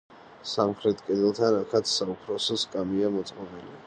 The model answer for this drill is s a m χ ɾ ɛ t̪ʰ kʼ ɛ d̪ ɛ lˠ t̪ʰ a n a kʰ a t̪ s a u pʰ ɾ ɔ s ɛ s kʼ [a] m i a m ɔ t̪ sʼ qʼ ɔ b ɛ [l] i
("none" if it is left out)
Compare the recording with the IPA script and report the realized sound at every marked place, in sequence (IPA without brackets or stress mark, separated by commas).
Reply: a, l